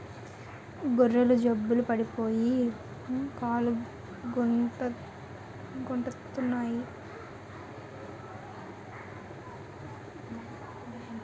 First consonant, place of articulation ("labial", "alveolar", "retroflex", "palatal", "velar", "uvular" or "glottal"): velar